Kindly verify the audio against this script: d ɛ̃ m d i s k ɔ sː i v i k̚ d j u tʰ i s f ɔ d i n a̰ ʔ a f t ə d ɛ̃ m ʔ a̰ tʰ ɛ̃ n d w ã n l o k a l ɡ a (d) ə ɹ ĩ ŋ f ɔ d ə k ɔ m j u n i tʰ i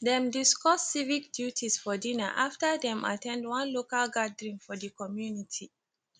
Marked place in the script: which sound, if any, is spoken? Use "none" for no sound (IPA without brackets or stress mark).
d